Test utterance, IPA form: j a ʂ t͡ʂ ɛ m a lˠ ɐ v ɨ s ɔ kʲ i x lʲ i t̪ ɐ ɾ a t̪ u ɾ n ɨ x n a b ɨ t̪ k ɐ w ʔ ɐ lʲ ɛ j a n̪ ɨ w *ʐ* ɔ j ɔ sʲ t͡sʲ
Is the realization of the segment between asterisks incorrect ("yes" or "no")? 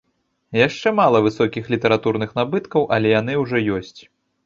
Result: no